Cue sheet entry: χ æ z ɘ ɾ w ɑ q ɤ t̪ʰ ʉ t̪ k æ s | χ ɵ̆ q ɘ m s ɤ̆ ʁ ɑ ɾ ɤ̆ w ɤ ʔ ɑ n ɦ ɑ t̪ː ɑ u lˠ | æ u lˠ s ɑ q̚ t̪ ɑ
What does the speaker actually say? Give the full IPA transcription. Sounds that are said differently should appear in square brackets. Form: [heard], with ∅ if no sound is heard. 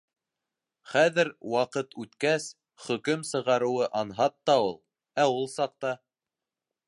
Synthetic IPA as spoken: χ æ [ð] ɘ ɾ w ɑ q ɤ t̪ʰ ʉ t̪ k æ s | χ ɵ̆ [k] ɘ m s ɤ̆ ʁ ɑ ɾ ɤ̆ w ɤ ʔ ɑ n ɦ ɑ t̪ː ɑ u lˠ | æ u lˠ s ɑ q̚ t̪ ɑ